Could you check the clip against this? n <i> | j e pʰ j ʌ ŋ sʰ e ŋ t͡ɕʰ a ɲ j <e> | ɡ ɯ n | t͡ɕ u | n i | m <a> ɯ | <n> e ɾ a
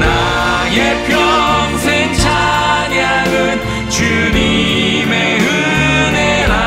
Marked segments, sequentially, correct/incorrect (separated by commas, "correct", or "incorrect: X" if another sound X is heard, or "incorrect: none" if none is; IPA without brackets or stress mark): incorrect: a, incorrect: a, incorrect: e, correct